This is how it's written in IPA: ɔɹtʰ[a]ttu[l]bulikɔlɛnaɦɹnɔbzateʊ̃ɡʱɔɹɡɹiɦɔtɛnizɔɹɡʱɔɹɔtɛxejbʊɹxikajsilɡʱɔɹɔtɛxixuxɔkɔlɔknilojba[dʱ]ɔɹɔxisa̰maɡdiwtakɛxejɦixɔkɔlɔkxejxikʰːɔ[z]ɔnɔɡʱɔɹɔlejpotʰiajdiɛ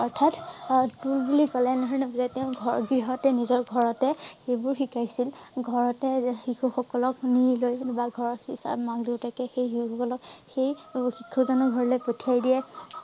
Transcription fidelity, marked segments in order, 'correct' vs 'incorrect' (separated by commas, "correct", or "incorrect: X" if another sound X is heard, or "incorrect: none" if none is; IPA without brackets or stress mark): correct, correct, incorrect: ɡʱ, correct